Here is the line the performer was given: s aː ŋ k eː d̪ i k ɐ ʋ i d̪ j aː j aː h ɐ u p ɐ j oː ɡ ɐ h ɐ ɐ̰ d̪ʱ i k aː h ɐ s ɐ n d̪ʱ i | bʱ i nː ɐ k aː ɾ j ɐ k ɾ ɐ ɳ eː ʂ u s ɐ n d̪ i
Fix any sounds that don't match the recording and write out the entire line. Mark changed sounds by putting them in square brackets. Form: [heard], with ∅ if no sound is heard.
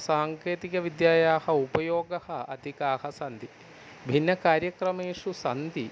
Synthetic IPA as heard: s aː ŋ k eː [t̪] i k ɐ ʋ i d̪ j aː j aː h ɐ u p ɐ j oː ɡ ɐ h ɐ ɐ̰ d̪ʱ i k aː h ɐ s ɐ n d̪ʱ i | bʱ i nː ɐ k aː ɾ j ɐ k ɾ ɐ [m] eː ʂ u s ɐ n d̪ i